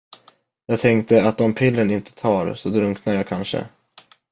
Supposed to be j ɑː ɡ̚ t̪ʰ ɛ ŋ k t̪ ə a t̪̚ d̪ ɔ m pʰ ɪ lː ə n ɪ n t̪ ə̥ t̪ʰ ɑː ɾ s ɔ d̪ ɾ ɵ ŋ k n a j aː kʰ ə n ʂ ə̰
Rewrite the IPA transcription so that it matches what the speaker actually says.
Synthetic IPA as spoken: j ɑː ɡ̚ t̪ʰ ɛ ŋ k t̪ ə a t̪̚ d̪ ɔ m pʰ ɪ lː ə n ɪ n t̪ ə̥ t̪ʰ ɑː ɾ s ɔ d̪ ɾ ɵ ŋ k n a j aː kʰ a n ʂ ə̰